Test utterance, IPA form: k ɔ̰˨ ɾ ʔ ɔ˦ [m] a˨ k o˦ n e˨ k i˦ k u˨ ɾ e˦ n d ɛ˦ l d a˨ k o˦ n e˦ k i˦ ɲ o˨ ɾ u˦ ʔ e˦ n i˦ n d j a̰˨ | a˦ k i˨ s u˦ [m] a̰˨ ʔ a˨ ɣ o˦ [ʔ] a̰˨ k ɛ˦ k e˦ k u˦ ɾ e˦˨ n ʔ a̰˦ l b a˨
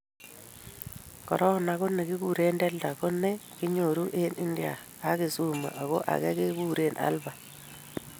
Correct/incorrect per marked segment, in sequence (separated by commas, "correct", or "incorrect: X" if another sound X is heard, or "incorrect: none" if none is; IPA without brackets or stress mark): incorrect: n, correct, correct